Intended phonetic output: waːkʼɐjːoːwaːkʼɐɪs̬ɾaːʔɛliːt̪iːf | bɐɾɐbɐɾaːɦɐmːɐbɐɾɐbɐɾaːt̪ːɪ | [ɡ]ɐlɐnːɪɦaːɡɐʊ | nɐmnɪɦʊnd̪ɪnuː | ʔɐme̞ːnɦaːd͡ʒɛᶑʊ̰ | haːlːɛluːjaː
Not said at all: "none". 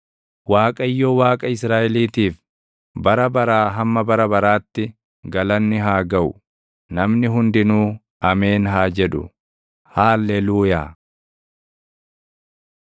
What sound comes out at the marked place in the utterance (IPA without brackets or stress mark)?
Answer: ɡ